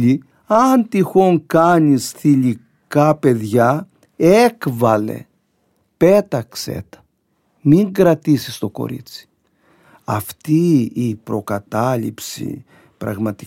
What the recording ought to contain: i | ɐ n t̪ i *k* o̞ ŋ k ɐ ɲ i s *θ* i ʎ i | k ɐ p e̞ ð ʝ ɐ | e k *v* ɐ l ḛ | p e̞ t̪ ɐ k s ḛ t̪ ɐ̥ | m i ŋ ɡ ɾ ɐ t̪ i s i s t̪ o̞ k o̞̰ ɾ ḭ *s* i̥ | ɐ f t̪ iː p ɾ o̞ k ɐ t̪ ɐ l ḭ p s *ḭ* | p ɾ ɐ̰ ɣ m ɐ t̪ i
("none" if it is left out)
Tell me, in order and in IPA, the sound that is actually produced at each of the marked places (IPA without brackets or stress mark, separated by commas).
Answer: x, θ, v, t͡s, ḭ